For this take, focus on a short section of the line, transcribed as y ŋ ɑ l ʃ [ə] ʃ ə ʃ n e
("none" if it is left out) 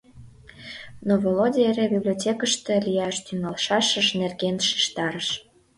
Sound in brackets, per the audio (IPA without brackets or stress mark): ɑ